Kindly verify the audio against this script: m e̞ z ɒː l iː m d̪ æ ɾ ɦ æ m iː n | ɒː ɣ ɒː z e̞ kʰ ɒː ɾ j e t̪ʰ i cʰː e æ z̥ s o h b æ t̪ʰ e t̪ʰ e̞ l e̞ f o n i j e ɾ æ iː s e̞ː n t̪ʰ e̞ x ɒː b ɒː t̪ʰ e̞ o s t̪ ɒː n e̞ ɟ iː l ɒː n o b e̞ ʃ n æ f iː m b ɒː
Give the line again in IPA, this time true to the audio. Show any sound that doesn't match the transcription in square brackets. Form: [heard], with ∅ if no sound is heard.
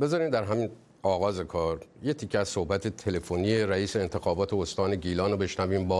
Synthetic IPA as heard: [b] e̞ z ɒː [ɾ] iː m d̪ æ ɾ ɦ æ m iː n | ɒː ɣ ɒː z e̞ kʰ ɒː ɾ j e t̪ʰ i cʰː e æ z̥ s o h b æ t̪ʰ e t̪ʰ e̞ l e̞ f o n i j e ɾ æ iː s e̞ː n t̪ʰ e̞ x ɒː b ɒː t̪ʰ e̞ o s t̪ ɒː n e̞ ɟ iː l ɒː n o b e̞ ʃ n æ [v] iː m b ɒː